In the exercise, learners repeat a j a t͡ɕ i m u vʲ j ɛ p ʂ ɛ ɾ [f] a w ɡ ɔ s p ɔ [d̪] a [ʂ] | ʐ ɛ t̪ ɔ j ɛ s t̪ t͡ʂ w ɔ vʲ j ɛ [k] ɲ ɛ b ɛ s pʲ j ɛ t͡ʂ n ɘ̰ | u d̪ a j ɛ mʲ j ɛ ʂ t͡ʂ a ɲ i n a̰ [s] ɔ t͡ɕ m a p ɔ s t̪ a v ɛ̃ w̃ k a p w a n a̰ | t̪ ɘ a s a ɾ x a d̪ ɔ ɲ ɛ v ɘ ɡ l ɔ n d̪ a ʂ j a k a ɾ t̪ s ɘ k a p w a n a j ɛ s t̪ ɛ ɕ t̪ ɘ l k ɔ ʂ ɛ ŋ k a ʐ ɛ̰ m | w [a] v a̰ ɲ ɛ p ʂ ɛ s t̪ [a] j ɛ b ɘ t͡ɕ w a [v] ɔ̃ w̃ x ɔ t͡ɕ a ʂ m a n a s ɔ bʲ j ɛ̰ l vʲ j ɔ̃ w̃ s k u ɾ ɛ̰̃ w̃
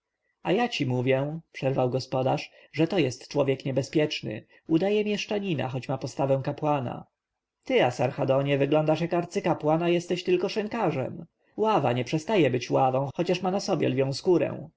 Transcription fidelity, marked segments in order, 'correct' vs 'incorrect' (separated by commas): incorrect, correct, correct, correct, incorrect, correct, correct, correct